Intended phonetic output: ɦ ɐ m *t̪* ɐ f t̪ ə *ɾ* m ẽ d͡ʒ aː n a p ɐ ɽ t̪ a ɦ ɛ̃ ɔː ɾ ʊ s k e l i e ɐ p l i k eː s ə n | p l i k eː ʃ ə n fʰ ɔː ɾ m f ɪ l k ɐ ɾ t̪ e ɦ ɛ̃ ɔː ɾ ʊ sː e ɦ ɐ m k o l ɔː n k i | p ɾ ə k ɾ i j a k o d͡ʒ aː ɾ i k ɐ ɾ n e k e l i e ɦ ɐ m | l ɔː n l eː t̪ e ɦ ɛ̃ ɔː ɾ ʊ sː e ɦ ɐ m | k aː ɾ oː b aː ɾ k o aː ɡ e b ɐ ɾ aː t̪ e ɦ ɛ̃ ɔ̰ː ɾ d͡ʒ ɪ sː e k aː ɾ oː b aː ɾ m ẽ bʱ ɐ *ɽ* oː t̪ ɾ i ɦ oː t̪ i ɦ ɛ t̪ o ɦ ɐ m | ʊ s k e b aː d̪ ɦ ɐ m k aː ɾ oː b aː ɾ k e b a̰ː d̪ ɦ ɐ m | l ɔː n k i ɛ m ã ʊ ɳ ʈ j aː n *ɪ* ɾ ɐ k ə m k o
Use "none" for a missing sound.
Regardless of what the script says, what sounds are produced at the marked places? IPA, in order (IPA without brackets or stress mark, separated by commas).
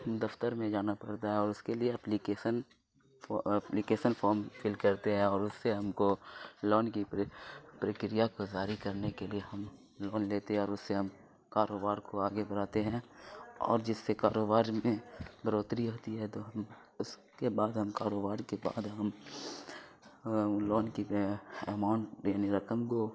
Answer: d̪, ɾ, ɾ, i